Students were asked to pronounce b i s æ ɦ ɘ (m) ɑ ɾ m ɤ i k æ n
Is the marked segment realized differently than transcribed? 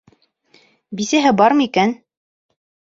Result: yes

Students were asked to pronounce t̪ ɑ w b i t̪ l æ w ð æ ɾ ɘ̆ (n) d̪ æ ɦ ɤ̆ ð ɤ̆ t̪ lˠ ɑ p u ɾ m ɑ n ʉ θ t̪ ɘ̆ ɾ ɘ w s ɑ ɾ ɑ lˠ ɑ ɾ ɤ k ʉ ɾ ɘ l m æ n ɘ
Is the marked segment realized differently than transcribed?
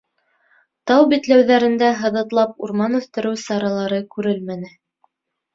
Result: no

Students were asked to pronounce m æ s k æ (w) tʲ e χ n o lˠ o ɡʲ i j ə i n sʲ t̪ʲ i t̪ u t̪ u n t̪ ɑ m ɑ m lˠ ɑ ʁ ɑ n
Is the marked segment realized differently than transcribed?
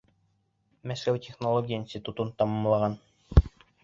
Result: no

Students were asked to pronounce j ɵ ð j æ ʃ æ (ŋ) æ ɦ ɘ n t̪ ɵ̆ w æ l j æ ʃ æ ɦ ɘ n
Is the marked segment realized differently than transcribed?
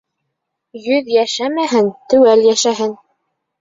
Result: yes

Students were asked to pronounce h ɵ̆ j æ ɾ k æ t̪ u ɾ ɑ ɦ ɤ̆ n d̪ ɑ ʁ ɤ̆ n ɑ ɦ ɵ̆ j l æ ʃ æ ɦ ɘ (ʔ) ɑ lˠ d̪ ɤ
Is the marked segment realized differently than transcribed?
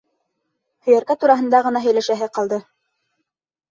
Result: yes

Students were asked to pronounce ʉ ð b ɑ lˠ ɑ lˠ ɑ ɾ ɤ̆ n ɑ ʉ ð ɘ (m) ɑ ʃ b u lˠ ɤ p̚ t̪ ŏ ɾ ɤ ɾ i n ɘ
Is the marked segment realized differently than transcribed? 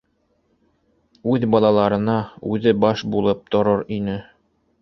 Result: yes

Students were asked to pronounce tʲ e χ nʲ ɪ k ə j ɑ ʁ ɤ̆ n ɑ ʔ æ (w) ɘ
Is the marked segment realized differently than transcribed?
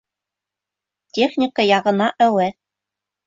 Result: no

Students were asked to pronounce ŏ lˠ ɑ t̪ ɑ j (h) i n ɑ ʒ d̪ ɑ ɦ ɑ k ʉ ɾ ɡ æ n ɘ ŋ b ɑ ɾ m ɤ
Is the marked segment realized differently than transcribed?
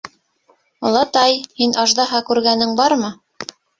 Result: no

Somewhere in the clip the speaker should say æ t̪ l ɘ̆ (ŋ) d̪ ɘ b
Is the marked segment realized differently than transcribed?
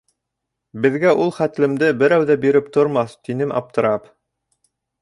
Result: yes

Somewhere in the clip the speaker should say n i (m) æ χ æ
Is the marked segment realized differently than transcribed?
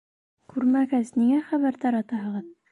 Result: yes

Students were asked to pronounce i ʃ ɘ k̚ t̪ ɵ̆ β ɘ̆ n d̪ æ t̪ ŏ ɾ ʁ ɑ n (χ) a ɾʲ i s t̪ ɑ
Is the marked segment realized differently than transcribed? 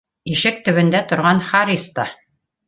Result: no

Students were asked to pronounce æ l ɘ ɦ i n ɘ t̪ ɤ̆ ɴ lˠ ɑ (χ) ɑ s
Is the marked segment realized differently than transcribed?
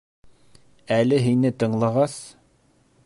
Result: yes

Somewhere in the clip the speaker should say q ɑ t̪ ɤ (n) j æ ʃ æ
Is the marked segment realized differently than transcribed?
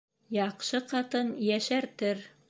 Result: no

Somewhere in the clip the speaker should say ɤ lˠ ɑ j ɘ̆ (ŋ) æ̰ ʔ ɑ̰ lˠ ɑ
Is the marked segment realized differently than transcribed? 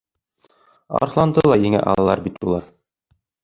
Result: no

